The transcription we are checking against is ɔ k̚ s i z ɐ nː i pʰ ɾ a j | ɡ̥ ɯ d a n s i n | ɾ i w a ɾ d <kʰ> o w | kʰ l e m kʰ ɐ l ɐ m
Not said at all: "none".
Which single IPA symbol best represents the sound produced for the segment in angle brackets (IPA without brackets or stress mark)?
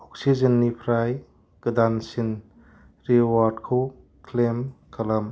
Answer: kʰ